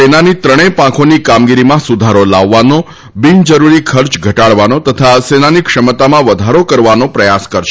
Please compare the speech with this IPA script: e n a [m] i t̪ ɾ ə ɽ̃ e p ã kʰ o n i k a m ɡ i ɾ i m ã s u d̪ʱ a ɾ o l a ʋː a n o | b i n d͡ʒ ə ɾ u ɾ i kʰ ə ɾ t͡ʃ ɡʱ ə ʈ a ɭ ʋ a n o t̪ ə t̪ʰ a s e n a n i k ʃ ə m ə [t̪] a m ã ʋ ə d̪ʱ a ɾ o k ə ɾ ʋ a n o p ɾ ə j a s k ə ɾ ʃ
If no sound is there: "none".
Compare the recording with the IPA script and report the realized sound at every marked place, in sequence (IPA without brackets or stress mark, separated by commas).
n, t̪